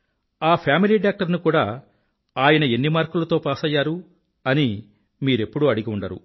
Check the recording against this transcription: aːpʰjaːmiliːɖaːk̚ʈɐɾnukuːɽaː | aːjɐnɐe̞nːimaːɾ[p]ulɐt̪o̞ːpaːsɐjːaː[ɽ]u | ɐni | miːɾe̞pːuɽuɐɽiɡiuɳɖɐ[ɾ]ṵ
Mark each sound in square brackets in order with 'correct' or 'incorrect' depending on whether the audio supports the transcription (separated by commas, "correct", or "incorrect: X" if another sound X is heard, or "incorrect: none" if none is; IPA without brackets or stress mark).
incorrect: k, incorrect: ɾ, correct